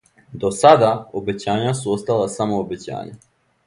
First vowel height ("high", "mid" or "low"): mid